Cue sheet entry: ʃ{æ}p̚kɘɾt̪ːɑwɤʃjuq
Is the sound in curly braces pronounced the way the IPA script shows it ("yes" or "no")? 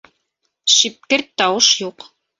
no